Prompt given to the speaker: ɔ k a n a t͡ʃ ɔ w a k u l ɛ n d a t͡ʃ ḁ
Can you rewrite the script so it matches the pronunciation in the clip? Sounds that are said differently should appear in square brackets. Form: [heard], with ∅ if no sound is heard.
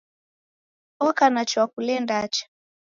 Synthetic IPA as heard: ɔ k a n a t͡ʃ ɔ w a k u l ɛ n d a t͡ʃ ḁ